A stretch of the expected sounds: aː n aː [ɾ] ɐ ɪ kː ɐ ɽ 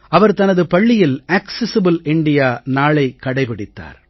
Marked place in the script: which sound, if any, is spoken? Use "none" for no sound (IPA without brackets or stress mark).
ɭ